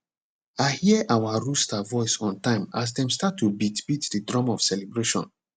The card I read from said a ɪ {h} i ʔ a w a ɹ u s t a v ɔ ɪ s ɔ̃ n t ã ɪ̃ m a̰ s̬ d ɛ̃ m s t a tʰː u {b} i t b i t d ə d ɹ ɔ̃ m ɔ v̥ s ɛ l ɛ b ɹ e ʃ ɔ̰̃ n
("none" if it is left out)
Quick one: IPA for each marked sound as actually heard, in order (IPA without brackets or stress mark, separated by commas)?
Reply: h, b